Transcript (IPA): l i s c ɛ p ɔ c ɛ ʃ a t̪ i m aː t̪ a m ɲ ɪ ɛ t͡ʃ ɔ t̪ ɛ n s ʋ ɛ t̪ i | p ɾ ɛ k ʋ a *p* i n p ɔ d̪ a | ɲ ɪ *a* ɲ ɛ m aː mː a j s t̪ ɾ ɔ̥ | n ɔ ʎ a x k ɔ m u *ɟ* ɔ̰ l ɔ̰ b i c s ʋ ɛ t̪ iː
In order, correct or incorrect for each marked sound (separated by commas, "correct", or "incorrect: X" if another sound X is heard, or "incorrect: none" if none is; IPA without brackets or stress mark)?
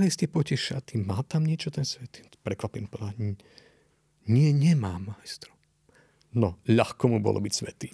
correct, incorrect: ɛ, incorrect: b